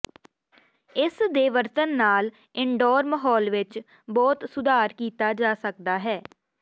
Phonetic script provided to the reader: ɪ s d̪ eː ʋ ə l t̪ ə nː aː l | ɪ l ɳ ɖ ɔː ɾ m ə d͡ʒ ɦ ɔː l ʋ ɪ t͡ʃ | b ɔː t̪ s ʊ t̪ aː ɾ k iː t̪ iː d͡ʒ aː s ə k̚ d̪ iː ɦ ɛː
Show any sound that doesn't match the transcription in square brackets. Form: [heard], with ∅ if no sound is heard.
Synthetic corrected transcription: ɪ s d̪ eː ʋ ə [ɾ] t̪ ə nː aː l | ɪ [∅] ɳ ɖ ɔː ɾ m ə [∅] ɦ ɔː l ʋ ɪ t͡ʃ | b ɔː t̪ s ʊ [d̪] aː ɾ k iː t̪ [aː] d͡ʒ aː s ə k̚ d̪ [aː] ɦ ɛː